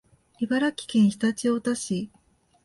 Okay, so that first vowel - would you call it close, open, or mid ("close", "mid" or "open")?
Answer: close